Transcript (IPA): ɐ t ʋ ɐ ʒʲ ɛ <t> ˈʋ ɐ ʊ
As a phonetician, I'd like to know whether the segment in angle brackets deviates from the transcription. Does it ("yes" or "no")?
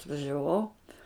yes